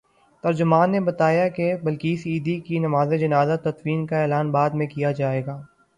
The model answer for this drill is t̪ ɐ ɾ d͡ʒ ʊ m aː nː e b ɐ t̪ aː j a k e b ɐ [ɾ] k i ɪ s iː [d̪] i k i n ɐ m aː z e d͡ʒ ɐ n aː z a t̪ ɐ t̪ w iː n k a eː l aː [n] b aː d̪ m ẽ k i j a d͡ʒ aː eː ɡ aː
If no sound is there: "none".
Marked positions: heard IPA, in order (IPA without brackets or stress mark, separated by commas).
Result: l, d̪, n